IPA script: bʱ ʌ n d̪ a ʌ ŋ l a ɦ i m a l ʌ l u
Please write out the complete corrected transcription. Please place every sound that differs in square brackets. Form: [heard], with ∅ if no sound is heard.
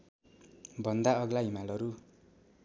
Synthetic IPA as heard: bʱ ʌ n d̪ a ʌ [ɡ] l a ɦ i m a l ʌ [ɾ] u